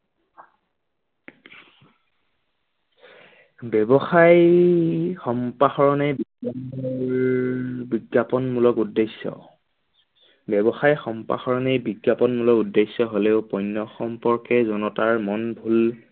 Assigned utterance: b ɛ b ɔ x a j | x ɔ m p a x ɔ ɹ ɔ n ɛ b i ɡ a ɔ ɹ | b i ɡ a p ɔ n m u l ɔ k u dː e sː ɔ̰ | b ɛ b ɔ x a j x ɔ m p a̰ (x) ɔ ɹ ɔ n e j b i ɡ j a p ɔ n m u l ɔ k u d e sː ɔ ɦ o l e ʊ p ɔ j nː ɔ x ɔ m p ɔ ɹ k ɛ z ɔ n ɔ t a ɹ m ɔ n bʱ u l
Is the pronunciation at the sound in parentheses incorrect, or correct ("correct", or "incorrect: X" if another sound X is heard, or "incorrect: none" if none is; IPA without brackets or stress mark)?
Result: correct